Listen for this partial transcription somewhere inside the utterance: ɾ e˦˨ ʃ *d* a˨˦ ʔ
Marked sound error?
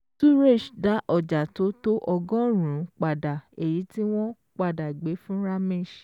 no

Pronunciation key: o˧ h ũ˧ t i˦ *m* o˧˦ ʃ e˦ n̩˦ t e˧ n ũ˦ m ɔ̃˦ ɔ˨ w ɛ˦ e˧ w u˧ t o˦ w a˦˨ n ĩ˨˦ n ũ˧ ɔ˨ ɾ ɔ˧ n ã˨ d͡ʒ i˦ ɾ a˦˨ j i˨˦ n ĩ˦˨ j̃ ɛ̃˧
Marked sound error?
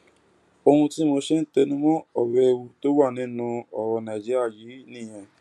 no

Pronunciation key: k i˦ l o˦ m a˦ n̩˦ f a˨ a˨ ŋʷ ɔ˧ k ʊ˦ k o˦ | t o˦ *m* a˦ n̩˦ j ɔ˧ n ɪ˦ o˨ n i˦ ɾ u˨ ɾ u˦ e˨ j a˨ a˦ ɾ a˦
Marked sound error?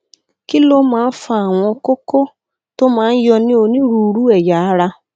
no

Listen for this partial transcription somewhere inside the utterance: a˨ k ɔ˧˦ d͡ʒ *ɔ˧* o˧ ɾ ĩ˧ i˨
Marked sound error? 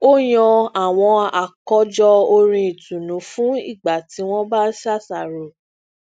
no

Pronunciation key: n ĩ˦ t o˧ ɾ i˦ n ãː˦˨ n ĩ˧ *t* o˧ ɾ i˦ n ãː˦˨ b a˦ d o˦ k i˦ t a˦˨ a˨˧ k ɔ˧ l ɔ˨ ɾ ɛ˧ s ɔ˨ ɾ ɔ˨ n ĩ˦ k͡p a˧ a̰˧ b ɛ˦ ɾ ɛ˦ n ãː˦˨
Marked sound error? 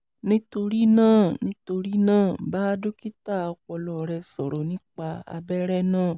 no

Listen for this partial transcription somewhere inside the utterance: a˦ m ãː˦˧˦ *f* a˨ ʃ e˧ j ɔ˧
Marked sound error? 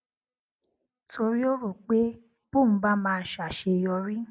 yes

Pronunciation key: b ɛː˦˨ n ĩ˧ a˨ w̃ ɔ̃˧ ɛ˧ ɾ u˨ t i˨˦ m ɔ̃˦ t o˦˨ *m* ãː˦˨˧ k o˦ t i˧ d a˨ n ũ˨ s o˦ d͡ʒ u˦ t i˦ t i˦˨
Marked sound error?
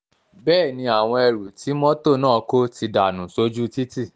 yes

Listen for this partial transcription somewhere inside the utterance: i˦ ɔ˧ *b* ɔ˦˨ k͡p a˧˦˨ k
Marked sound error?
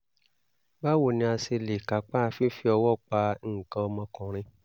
yes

